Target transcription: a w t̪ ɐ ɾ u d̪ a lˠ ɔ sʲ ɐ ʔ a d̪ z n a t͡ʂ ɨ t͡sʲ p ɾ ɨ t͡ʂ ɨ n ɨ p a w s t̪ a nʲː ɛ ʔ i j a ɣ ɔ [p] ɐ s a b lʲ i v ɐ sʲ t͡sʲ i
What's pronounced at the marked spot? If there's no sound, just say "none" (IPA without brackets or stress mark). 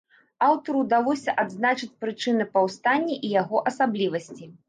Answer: ʔ